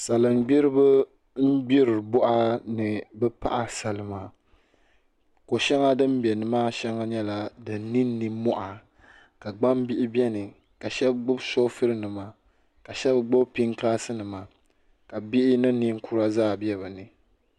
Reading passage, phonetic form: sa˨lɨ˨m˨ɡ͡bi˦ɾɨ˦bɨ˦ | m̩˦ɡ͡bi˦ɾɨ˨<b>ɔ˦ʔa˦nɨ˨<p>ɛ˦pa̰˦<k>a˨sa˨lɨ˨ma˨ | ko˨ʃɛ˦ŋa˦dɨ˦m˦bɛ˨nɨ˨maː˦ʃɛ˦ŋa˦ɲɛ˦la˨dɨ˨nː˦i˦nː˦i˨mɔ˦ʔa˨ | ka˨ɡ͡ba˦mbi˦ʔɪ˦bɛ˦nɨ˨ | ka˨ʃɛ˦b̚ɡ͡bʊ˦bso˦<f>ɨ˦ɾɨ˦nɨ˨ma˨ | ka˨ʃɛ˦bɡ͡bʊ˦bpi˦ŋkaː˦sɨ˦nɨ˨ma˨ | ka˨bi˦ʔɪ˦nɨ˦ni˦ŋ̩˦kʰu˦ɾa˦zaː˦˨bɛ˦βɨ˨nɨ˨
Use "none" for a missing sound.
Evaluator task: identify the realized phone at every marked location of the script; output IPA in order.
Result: b, b, ʔ, f

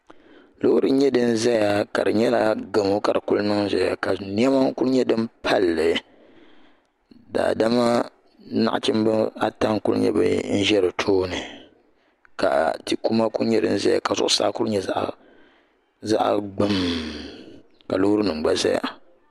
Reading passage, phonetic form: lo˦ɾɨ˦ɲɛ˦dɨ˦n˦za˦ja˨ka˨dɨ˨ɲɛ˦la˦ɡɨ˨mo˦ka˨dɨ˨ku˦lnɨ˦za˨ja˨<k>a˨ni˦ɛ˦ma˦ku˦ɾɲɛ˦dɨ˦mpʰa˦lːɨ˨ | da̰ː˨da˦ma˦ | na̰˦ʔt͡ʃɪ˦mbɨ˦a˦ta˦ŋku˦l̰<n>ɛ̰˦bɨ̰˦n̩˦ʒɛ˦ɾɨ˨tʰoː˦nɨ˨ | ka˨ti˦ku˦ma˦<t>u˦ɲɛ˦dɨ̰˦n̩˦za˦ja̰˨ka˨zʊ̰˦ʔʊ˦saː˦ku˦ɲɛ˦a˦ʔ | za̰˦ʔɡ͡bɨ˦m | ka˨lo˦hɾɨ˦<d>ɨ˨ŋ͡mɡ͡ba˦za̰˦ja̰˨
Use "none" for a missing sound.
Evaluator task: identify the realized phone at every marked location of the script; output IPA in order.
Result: k, ɲ, k, n

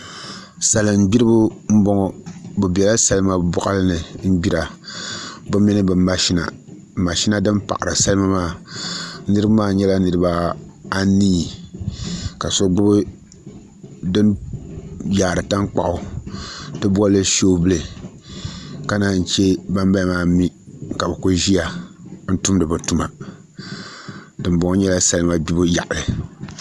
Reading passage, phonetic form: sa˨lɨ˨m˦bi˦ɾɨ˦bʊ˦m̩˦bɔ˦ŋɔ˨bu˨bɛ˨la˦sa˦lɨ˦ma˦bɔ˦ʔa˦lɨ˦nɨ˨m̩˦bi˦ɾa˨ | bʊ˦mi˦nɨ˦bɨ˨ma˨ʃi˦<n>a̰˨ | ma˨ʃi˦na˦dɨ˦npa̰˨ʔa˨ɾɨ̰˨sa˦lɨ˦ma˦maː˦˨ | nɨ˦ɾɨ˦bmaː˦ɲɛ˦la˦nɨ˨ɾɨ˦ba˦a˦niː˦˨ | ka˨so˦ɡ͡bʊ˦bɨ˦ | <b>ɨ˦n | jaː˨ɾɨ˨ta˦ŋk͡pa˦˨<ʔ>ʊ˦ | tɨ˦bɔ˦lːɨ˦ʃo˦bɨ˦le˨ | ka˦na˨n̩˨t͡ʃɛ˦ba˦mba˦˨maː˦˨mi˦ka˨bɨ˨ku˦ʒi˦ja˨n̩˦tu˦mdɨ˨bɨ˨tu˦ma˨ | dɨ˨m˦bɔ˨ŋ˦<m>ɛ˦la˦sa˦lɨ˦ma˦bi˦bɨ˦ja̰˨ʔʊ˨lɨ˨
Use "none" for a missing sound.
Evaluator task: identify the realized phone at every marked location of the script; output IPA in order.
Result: n, d, ʔ, ɲ

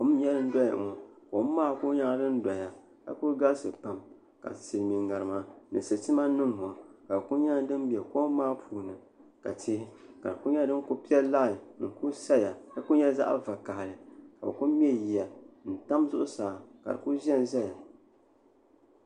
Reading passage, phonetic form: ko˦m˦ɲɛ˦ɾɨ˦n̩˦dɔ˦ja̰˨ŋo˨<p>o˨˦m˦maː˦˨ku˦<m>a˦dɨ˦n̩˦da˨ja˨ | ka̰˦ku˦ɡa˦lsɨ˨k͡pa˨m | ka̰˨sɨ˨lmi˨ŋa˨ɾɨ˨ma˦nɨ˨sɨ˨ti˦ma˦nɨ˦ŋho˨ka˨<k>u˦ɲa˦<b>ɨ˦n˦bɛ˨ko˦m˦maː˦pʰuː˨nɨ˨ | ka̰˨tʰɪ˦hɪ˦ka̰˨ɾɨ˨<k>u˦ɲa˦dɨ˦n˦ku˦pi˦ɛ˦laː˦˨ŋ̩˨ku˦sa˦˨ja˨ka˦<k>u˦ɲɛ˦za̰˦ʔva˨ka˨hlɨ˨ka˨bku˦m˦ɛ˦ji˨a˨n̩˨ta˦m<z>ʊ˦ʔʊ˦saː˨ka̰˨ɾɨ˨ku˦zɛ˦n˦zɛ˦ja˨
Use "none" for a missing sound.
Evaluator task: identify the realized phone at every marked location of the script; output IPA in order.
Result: k, ɲ, k, d, k, k, z

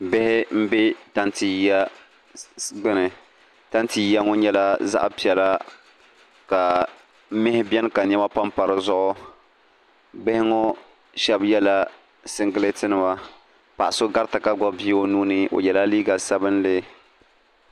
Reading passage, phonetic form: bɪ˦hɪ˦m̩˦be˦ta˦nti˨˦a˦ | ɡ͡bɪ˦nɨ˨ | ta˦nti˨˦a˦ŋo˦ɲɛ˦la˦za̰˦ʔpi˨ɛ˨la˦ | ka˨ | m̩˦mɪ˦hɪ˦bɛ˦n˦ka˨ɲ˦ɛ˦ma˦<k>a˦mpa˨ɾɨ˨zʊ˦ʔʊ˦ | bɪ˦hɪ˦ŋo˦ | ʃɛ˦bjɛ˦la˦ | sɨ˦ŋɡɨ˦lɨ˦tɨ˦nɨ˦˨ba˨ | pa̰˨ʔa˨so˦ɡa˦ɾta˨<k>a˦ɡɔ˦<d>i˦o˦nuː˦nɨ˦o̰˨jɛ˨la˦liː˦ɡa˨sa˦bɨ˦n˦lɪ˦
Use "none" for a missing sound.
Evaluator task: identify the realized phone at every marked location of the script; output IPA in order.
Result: p, k, b

